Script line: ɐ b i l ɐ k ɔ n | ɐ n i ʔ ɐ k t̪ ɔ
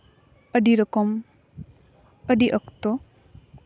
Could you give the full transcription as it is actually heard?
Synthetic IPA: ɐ d i ɾ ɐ k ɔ m | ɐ d i ʔ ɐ k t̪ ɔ